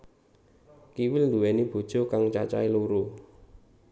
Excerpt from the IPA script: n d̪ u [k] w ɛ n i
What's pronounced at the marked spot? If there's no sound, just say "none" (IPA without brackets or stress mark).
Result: none